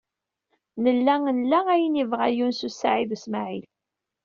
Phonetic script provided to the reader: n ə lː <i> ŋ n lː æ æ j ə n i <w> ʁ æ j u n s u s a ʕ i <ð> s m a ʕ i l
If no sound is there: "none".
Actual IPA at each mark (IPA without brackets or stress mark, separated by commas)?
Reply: æ, v, ð